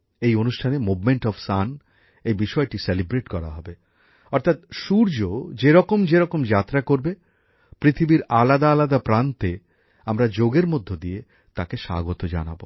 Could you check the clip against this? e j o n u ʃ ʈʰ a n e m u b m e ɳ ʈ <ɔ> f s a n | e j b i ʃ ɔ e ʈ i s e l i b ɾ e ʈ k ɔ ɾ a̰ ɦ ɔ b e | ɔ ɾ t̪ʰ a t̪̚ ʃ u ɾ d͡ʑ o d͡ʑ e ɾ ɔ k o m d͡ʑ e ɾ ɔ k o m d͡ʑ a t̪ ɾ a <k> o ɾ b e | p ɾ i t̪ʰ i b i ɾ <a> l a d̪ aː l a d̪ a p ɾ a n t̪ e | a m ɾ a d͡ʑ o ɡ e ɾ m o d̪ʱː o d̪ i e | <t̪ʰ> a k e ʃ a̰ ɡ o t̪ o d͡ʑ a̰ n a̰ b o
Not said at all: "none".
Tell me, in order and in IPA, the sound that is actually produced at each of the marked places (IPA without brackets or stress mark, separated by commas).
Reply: ɔ, k, a, t̪